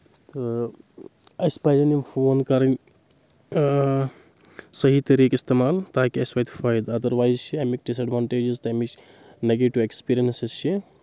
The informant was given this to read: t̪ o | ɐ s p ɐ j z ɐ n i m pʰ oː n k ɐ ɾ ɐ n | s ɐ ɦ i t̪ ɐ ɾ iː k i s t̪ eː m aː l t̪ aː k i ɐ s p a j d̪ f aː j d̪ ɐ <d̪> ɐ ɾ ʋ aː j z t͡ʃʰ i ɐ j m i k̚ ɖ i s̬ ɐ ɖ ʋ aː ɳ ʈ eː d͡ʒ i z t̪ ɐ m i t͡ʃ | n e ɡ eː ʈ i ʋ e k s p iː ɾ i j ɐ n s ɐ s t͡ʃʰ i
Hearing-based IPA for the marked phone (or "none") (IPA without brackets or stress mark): d̪